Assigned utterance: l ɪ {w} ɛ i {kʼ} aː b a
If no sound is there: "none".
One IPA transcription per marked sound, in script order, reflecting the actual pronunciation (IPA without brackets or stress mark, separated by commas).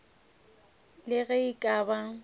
ɣ, kʼ